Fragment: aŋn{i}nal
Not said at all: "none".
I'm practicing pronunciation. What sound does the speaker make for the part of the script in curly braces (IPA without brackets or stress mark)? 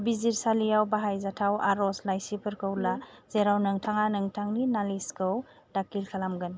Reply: i